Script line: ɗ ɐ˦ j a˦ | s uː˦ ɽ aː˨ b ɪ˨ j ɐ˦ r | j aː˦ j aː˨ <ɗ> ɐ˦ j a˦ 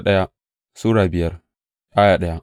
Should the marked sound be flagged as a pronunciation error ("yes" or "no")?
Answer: no